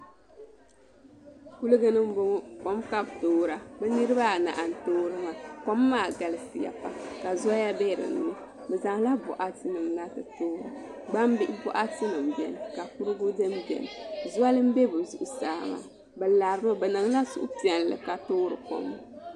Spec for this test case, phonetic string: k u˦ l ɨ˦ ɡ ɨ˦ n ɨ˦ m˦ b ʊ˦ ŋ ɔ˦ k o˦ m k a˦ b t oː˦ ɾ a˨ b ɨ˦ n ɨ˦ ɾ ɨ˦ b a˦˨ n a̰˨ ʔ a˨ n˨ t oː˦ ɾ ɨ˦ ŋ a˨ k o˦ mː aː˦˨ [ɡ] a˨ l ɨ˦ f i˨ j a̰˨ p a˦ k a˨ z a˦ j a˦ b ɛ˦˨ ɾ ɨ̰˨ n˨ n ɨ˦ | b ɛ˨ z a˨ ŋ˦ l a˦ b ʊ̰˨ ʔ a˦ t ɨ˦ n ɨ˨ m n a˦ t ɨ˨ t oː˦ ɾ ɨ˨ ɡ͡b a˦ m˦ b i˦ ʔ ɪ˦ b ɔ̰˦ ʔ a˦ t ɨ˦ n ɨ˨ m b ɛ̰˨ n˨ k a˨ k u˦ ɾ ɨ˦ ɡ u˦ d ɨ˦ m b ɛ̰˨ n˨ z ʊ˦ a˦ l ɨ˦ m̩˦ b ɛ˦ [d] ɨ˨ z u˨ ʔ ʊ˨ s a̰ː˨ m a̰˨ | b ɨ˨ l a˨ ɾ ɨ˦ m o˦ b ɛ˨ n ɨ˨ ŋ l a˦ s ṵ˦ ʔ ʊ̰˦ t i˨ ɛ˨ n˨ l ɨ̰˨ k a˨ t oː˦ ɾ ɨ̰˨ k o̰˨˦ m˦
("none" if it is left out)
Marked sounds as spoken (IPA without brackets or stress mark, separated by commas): ɡ, b